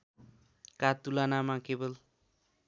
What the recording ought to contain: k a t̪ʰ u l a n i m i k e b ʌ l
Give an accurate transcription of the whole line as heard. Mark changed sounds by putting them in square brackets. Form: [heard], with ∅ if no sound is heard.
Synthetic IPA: k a [t̪] u l a n [a] m [a] k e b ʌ l